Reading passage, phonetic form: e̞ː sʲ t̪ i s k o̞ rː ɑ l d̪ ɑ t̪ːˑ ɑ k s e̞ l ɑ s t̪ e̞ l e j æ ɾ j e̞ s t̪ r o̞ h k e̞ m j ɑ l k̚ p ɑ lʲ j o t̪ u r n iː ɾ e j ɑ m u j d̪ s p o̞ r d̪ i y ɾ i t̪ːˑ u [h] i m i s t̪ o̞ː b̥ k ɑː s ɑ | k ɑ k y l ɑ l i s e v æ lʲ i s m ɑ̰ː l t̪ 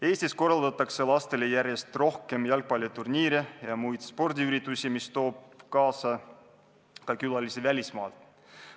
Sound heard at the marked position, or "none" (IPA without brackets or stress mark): s